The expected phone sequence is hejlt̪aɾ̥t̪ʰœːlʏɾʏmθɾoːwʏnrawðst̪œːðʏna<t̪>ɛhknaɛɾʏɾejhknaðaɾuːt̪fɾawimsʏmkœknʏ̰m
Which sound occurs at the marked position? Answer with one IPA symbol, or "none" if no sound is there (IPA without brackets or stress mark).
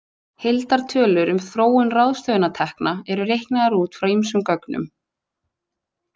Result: t̪ʰ